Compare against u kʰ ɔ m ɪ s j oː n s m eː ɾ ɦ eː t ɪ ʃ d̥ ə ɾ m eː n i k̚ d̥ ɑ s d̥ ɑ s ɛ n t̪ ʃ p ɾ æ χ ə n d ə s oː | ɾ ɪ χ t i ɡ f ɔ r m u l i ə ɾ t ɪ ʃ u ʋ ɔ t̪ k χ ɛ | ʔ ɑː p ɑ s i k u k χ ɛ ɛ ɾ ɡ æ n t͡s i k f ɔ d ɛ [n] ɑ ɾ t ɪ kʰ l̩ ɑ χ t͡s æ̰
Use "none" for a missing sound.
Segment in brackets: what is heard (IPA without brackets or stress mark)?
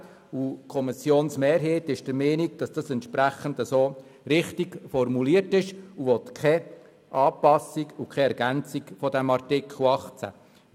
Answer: m